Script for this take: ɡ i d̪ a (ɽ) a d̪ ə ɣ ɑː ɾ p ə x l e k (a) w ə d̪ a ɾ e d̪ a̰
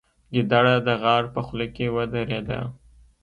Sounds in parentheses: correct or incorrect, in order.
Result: correct, incorrect: e

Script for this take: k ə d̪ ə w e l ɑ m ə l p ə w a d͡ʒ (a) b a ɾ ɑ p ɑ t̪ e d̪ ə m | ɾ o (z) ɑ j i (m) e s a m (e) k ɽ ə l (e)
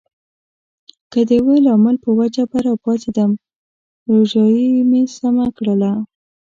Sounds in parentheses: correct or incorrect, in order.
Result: correct, incorrect: ʒ, correct, incorrect: a, incorrect: a

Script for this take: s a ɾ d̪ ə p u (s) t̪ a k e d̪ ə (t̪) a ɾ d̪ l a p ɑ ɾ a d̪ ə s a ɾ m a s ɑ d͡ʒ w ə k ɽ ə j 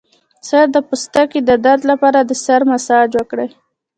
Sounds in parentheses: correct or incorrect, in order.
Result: correct, incorrect: d̪

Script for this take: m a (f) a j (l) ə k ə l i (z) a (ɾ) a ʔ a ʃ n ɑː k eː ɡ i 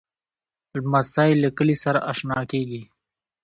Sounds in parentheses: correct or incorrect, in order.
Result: incorrect: s, correct, incorrect: s, correct

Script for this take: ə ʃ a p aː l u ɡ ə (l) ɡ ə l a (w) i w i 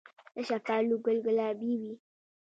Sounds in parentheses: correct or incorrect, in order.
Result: correct, incorrect: b

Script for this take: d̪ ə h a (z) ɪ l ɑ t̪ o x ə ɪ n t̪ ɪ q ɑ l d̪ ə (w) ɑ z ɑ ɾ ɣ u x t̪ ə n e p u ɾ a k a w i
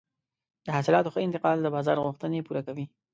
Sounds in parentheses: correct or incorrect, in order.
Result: incorrect: s, incorrect: b

